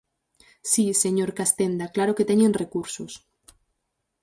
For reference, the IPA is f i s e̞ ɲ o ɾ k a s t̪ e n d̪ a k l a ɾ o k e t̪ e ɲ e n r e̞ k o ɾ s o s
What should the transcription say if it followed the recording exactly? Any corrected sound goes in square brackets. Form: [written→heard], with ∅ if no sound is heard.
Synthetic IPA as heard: [f→s] i s e̞ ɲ o ɾ k a s t̪ e n d̪ a k l a ɾ o k e t̪ e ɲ e n r e̞ k [o→u] ɾ s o s